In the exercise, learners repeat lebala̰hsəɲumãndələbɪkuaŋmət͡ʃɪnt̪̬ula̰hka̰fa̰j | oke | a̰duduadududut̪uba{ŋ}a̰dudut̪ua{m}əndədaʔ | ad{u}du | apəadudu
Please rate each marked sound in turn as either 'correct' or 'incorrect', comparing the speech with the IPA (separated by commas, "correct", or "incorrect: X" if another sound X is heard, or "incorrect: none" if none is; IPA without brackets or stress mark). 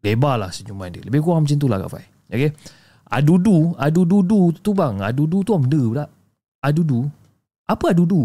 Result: correct, correct, correct